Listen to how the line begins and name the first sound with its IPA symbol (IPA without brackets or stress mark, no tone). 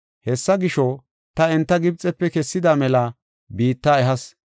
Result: h